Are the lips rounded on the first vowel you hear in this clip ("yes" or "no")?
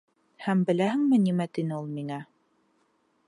no